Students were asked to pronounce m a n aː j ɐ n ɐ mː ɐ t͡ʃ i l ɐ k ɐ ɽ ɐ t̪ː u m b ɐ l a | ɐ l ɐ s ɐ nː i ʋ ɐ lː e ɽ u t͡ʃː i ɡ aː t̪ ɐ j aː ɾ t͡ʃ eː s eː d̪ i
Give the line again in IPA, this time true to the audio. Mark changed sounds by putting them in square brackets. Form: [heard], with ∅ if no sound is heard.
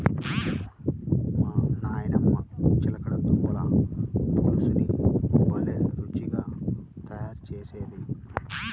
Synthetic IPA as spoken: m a n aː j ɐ n ɐ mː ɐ t͡ʃ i l ɐ k ɐ ɽ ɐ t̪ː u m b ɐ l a | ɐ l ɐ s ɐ [n] i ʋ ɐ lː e [ɾ] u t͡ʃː i ɡ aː t̪ ɐ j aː ɾ t͡ʃ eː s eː d̪ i

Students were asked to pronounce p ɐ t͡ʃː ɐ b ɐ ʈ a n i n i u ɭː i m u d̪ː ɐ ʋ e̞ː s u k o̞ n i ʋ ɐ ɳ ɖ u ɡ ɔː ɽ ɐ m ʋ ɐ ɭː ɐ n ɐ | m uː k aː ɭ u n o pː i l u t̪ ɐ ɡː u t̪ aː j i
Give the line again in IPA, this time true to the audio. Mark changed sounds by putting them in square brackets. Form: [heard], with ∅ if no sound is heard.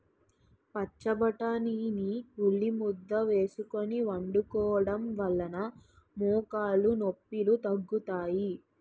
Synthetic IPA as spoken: p ɐ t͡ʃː ɐ b ɐ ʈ a n i n i u ɭː i m u d̪ː ɐ ʋ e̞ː s u k o̞ n i ʋ ɐ ɳ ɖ u [k] ɔː ɽ ɐ m ʋ ɐ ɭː ɐ n ɐ | m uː k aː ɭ u n o pː i l u t̪ ɐ ɡː u t̪ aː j i

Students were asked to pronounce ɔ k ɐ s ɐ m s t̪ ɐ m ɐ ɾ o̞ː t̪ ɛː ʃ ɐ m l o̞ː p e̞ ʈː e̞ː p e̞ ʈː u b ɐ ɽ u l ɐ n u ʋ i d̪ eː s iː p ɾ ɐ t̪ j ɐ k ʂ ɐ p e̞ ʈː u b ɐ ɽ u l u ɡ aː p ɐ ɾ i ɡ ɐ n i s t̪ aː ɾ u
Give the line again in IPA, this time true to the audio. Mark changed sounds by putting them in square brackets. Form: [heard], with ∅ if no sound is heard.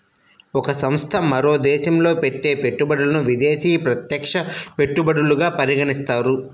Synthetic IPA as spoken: ɔ k ɐ s ɐ m s [t̪ʰ] ɐ m ɐ ɾ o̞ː [d̪] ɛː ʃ ɐ m l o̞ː p e̞ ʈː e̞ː p e̞ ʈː u b ɐ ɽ u l ɐ n u ʋ i d̪ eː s iː p ɾ ɐ t̪ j ɐ k ʂ ɐ p e̞ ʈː u b ɐ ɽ u l u ɡ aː p ɐ ɾ i ɡ ɐ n i s t̪ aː ɾ u

